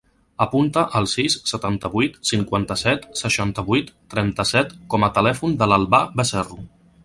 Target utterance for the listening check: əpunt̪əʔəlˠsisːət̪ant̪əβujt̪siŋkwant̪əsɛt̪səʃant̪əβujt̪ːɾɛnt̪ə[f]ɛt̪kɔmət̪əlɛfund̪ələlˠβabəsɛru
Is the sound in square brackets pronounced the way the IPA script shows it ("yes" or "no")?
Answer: no